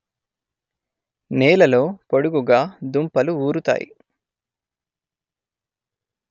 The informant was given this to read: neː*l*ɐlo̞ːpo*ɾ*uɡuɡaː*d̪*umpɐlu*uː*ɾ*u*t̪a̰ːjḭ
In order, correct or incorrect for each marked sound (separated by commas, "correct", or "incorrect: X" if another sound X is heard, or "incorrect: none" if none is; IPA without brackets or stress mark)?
correct, incorrect: ɽ, correct, correct, correct